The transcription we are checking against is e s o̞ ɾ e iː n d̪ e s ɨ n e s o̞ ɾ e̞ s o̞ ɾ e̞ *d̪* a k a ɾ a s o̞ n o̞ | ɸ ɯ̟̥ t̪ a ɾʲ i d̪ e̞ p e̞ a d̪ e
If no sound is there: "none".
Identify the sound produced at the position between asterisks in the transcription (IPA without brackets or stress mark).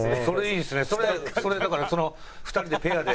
d̪